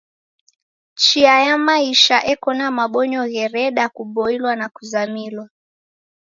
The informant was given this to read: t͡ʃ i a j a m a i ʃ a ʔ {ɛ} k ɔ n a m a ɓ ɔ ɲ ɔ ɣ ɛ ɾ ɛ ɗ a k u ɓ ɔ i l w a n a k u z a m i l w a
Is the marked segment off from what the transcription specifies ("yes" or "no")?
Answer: no